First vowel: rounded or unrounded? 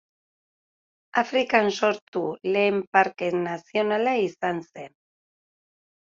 unrounded